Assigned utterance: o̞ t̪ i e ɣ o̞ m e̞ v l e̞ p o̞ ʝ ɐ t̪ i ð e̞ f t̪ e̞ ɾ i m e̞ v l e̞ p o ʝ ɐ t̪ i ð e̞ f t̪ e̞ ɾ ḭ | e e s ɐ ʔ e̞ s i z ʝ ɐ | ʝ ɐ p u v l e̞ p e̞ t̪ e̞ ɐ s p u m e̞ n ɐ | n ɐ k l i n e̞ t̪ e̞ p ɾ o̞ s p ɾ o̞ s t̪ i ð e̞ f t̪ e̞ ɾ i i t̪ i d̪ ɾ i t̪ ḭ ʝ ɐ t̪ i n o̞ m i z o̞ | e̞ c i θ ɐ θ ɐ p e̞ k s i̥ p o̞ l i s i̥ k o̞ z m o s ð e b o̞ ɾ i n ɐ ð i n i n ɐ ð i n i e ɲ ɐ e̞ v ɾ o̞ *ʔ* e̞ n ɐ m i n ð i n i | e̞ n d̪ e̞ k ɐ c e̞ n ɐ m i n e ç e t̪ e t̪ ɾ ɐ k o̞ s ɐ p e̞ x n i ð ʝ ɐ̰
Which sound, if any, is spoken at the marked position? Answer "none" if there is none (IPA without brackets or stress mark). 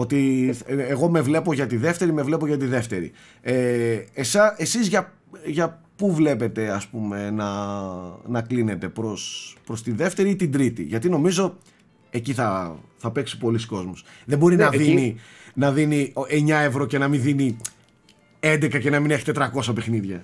c